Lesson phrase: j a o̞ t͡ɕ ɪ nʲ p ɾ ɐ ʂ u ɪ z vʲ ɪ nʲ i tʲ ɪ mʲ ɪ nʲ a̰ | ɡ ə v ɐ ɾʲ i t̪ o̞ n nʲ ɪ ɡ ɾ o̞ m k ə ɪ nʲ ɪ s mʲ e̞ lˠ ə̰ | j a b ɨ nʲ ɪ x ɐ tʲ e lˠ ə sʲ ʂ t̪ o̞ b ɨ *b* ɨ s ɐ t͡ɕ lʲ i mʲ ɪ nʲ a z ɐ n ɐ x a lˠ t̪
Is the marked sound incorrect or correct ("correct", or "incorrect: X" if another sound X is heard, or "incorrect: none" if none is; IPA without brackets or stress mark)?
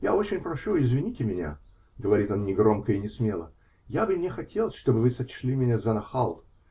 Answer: incorrect: v